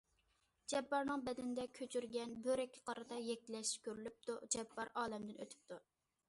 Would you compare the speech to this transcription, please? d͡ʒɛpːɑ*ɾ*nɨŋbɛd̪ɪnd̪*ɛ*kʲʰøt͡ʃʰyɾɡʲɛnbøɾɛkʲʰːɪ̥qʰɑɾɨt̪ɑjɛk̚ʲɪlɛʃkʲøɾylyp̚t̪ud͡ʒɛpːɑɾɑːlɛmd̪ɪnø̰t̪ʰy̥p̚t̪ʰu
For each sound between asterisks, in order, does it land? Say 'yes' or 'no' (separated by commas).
yes, yes